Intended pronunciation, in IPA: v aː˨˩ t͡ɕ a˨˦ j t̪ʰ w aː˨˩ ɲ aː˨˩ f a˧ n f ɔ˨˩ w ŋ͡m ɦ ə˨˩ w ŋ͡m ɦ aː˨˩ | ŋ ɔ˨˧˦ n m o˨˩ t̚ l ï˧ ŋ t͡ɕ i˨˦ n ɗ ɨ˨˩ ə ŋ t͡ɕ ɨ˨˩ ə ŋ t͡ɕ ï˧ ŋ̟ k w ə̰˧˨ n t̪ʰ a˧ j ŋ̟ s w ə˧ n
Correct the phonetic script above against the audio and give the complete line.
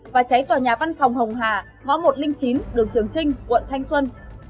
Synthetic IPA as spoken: v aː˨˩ t͡ɕ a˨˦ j t̪ w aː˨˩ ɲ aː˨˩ v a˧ n f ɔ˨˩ w ŋ͡m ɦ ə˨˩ w ŋ͡m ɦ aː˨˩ | ŋ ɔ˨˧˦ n m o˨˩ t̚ l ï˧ ŋ t͡ɕ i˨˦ n ɗ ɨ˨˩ ə ŋ t͡ɕ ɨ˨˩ ə ŋ t͡ɕ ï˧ ŋ̟ k w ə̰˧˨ n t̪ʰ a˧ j ŋ̟ s w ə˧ n

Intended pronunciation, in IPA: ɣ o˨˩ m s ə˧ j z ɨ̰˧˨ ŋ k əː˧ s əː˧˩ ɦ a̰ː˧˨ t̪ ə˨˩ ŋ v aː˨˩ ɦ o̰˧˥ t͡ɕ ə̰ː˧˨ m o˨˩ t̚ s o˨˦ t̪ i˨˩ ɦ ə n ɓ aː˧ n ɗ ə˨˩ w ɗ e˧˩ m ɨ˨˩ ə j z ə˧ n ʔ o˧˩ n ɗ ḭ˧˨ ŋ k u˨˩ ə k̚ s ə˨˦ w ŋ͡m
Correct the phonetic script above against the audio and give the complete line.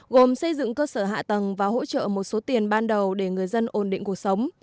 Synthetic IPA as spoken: ɣ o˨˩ m s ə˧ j z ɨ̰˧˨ ŋ k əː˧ s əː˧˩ ɦ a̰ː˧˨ t̪ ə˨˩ ŋ v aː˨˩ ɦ o̰˧˥ t͡ɕ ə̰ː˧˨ m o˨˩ t̚ s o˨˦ t̪ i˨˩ ə n ɓ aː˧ n ɗ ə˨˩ w ɗ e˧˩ ŋ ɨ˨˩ ə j z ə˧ n ʔ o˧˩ n ɗ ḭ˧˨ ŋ k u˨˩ ə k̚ s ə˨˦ w ŋ͡m

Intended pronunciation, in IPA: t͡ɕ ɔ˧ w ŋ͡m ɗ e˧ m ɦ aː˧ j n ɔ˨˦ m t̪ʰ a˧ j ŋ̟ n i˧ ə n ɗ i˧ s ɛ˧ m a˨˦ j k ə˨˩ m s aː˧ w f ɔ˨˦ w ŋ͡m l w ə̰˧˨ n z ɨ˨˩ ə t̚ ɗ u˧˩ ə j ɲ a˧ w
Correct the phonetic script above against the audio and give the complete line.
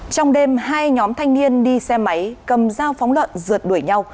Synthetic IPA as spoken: t͡ɕ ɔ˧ w ŋ͡m ɗ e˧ m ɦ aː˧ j ɲ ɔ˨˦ m t̪ʰ a˧ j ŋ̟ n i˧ ə n ɗ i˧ s ɛ˧ m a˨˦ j k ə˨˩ m z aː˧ w f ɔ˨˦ w ŋ͡m l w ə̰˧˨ n z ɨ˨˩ ə t̚ ɗ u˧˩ ə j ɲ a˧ w

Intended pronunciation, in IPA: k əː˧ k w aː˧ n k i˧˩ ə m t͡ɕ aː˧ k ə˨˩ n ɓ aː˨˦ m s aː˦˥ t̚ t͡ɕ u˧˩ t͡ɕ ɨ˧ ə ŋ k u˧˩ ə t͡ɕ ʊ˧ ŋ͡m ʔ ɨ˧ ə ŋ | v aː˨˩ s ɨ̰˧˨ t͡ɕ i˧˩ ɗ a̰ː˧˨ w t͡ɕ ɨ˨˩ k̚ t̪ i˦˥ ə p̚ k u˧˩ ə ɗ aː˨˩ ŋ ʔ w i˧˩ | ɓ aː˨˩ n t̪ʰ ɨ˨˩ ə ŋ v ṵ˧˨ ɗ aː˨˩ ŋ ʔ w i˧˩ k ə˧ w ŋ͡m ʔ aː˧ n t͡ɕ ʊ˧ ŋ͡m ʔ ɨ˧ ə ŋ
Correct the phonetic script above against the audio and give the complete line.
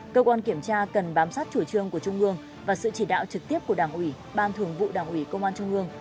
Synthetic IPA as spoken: k əː˧ k w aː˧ n k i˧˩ ə m t͡ɕ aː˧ k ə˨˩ n ɓ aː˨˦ m s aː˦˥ t̚ t͡ɕ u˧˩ t͡ɕ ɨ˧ ə ŋ k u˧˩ ə t͡ɕ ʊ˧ ŋ͡m ʔ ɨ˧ ə ŋ | v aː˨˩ s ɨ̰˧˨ t͡ɕ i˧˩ ɗ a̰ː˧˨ w t͡ɕ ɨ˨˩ k̚ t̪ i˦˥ ə p̚ k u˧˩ ə ɗ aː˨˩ ŋ ʔ w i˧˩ | ɓ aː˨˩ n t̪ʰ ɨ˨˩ ə ŋ v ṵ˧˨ ɗ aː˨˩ ŋ ʔ w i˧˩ k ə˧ w ŋ͡m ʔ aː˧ n t͡ɕ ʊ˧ ŋ͡m ʔ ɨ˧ ə ŋ

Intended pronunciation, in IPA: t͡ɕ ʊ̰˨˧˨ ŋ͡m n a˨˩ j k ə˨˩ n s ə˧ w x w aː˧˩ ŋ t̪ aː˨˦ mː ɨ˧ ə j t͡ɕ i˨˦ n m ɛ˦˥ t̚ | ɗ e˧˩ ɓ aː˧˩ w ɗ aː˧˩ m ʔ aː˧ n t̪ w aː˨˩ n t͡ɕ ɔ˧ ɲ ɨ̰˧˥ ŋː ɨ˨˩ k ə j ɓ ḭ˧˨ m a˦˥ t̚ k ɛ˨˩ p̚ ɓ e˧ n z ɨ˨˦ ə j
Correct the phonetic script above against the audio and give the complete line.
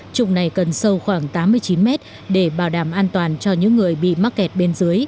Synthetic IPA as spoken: t͡ɕ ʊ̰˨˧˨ ŋ͡m n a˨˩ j k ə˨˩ n s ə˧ w x w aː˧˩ ŋ t̪ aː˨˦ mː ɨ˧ ə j t͡ɕ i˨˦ n m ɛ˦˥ t̚ | ɗ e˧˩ ɓ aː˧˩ w ɗ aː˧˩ m ʔ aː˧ n t̪ w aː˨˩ n t͡ɕ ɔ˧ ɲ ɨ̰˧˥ ŋː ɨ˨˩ ə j ɓ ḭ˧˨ m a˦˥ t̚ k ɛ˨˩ t̚ ɓ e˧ n z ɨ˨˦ ə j

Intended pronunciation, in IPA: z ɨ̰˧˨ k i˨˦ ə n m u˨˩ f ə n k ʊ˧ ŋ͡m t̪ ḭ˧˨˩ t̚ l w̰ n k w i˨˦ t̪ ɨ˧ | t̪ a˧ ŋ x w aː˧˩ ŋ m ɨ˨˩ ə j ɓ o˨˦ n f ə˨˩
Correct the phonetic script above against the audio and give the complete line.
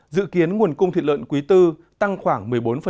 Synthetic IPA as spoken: z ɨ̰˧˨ k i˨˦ ə n ŋ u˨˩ ə n k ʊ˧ ŋ͡m t̪ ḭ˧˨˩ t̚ l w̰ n k w i˨˦ t̪ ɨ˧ | t̪ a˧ ŋ x w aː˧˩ ŋ m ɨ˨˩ ə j ɓ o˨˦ n f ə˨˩

